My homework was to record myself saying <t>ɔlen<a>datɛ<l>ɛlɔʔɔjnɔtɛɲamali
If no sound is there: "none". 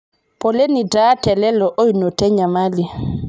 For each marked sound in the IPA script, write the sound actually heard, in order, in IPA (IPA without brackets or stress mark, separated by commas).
p, i, l